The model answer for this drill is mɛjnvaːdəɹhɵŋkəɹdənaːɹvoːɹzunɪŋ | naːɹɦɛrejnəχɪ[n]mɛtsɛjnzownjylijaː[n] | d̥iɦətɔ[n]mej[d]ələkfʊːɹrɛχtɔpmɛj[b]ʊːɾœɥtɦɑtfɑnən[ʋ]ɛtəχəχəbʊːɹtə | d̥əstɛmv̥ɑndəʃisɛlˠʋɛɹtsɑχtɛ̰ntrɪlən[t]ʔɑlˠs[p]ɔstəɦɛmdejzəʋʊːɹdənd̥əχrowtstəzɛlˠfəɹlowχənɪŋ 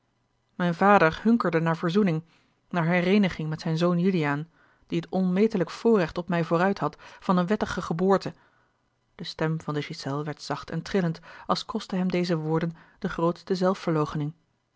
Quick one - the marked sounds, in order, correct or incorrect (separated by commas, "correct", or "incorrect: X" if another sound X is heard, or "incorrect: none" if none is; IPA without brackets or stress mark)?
incorrect: ŋ, correct, correct, incorrect: t, incorrect: v, correct, correct, incorrect: k